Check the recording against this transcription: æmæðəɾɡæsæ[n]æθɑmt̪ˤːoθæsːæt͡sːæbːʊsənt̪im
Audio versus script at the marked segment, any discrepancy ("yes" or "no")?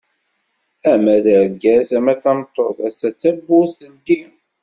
yes